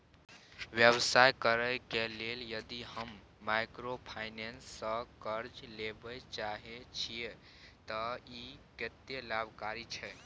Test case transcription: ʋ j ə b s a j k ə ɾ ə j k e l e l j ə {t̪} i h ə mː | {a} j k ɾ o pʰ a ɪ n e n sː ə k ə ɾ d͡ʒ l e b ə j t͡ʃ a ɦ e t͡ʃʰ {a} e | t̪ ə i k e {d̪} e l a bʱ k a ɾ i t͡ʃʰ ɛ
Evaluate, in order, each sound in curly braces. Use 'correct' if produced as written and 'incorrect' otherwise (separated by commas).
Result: incorrect, correct, incorrect, incorrect